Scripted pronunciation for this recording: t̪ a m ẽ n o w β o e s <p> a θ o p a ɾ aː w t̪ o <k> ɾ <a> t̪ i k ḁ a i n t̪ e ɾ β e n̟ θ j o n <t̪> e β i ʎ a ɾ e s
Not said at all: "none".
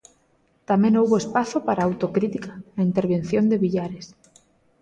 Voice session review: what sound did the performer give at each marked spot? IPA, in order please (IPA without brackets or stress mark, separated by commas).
p, k, i, d̪